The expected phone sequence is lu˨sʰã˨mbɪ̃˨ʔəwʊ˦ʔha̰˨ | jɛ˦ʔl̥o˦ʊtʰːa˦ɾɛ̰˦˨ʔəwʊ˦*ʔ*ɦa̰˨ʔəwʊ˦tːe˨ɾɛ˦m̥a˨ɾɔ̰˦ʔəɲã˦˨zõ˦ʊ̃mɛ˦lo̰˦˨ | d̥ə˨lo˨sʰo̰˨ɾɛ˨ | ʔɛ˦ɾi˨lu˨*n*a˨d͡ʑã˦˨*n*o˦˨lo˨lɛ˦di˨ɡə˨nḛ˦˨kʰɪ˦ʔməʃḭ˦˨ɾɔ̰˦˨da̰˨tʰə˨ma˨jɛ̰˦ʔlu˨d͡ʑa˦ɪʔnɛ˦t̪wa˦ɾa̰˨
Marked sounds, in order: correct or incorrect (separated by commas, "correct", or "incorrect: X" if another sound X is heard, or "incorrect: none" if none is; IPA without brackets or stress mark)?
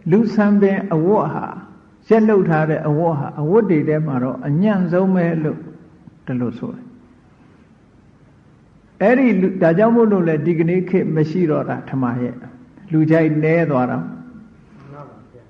correct, incorrect: d, incorrect: m